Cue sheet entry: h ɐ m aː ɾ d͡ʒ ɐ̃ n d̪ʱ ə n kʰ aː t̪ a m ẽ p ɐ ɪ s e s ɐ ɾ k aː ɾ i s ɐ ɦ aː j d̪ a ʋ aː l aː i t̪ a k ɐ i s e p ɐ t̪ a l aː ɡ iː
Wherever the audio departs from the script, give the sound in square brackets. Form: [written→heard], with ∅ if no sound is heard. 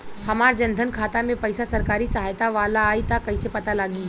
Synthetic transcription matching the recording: h ɐ m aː ɾ d͡ʒ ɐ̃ n d̪ʱ ə n kʰ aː t̪ a m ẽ p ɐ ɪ s [e→a] s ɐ ɾ k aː ɾ i s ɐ ɦ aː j [d̪→t̪] a ʋ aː l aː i t̪ a k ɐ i s e p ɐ t̪ a l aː ɡ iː